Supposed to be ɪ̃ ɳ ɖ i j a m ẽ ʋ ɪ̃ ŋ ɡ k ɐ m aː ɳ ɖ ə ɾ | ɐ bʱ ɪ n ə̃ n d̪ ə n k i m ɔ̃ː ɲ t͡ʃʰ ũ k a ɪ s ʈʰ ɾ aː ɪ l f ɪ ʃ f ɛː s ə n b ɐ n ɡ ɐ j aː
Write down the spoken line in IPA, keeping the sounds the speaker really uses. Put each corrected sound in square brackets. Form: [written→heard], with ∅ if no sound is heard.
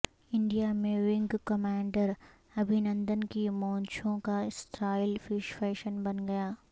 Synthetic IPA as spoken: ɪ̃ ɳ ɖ i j a m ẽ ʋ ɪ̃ ŋ ɡ k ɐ m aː ɳ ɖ ə ɾ | ɐ bʱ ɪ n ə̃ n d̪ ə n k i m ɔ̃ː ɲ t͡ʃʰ [ũ→õ] k a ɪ s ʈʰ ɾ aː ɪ l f ɪ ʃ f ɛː [s→ʃ] ə n b ɐ n ɡ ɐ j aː